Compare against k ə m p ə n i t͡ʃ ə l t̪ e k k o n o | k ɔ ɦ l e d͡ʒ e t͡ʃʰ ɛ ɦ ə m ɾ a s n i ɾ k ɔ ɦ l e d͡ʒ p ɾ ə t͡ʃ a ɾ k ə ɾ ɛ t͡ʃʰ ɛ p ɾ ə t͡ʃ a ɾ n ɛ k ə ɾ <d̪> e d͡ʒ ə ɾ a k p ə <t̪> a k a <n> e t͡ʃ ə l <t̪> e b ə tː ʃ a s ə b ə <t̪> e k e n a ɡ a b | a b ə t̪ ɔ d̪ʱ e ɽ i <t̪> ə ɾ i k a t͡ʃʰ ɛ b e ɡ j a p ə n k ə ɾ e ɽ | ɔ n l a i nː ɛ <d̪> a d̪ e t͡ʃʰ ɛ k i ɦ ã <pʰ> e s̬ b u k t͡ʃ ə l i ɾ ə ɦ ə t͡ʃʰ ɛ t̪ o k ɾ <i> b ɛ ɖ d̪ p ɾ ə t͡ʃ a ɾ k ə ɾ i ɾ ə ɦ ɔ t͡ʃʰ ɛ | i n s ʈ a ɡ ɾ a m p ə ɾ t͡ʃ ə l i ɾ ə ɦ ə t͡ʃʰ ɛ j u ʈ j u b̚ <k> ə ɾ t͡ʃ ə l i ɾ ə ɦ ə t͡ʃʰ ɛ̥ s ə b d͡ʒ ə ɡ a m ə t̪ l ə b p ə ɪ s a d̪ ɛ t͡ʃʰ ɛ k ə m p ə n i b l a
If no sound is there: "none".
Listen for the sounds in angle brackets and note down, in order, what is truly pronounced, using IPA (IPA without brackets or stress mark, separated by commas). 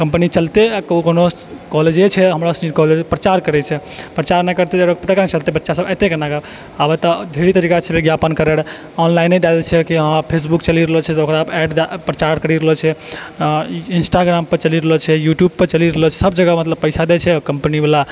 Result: t̪, t̪, n, t̪, t̪, t̪, d̪, pʰ, a, p